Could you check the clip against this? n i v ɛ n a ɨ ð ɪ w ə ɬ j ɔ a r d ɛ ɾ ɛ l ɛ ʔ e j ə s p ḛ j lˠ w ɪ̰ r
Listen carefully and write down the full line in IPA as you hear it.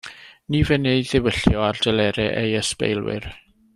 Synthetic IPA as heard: n i v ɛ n e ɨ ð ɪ w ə ɬ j ɔ a r d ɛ l ɛ ɾ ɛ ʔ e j ə s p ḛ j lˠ w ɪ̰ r